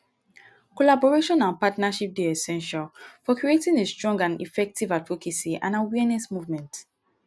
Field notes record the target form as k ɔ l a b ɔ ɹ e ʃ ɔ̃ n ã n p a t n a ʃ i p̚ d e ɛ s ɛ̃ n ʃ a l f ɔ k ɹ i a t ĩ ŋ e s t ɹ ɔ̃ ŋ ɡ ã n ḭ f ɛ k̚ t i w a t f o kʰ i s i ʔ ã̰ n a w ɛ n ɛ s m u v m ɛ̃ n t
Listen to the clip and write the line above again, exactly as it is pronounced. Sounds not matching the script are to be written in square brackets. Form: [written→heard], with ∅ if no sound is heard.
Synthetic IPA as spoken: k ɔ l a b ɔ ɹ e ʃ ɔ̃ n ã n p a t n a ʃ i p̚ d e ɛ s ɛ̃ n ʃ a l f ɔ k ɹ i [a→e] t ĩ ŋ e s t ɹ ɔ̃ ŋ ɡ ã n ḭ f ɛ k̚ t i [w→v] a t f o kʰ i s i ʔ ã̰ n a w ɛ n ɛ s m u v m ɛ̃ n t